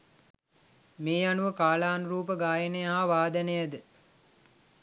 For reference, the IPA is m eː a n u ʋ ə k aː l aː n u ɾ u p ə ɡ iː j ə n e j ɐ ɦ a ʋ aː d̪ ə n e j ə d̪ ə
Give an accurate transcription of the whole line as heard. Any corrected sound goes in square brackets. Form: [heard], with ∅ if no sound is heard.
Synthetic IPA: m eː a n u ʋ ə k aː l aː n u ɾ [uː] p ə ɡ [aː] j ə n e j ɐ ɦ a ʋ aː d̪ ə n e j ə d̪ ə